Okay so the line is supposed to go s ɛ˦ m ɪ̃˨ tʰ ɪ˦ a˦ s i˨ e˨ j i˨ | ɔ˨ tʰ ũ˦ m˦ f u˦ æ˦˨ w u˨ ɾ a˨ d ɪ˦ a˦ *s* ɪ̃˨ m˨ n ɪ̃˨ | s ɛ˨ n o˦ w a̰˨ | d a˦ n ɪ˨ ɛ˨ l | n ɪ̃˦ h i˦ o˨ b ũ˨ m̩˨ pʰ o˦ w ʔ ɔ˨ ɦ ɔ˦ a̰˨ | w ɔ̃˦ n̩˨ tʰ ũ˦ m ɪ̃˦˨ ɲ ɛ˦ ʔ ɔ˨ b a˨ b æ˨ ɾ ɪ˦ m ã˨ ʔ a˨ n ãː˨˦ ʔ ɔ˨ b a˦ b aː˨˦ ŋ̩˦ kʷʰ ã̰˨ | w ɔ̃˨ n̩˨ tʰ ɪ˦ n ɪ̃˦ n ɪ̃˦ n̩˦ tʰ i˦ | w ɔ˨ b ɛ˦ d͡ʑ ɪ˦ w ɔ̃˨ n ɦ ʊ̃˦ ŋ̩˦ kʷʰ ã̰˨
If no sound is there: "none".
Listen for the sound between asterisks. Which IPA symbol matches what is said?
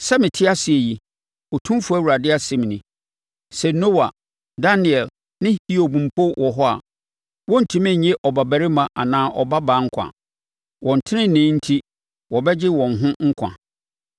s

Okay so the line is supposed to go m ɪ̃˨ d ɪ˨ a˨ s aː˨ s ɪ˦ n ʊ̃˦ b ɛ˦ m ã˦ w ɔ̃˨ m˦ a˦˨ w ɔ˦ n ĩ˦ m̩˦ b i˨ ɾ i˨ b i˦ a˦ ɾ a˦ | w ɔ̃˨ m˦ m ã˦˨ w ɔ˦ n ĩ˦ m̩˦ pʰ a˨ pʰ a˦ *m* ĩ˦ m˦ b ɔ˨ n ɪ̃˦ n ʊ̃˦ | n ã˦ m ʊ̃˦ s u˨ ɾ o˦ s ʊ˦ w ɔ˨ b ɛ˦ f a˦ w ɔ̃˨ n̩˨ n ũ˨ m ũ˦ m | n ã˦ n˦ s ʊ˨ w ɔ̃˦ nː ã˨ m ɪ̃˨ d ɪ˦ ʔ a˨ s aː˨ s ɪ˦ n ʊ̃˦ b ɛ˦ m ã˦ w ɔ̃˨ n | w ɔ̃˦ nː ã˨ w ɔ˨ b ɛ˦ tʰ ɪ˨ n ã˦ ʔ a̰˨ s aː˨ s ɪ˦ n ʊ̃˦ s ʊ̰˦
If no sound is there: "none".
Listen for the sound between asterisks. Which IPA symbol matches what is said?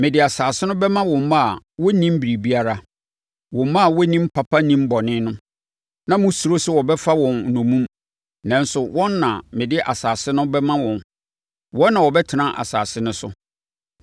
n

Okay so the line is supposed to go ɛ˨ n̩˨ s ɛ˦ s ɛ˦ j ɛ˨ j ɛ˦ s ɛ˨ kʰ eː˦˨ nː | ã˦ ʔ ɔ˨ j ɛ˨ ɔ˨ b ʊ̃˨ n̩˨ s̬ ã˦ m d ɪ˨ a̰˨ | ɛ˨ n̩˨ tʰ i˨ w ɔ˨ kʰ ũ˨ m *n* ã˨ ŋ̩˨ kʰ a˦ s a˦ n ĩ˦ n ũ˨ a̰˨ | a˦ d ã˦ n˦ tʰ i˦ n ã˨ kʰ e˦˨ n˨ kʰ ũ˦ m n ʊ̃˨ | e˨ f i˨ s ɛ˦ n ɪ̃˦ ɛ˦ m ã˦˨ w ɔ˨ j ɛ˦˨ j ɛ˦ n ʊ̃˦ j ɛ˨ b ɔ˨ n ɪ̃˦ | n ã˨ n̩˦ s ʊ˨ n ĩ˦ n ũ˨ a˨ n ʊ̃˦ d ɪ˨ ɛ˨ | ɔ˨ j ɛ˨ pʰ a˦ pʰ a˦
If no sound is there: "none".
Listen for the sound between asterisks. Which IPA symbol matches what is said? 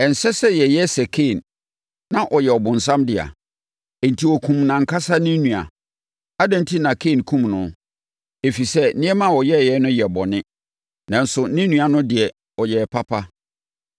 n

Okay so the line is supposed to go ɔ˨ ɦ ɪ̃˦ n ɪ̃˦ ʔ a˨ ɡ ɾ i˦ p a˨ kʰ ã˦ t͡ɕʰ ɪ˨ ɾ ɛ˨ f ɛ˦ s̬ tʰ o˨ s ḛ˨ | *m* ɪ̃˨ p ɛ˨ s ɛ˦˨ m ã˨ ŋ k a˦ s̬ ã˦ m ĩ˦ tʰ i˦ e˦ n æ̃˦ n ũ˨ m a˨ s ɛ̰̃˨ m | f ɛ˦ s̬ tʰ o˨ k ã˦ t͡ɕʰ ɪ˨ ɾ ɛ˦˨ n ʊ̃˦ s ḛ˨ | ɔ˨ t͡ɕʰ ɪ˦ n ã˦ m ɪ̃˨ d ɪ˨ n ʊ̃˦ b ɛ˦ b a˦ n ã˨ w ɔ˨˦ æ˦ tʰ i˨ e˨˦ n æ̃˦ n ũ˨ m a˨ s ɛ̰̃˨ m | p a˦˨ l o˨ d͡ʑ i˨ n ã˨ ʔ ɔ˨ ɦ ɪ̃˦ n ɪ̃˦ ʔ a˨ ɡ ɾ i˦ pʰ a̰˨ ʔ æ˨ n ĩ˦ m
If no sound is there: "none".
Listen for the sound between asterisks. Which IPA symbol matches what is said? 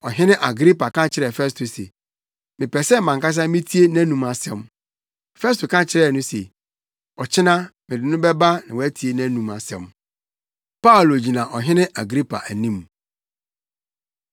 m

